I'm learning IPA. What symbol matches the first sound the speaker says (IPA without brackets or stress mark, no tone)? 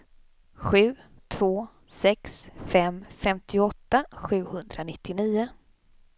ɧ